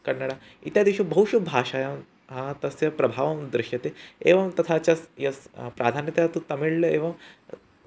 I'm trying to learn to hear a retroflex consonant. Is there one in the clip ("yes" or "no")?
yes